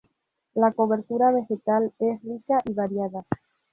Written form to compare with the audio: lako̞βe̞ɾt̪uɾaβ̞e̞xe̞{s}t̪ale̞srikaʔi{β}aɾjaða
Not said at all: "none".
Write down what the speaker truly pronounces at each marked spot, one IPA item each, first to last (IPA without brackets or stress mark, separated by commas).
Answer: none, β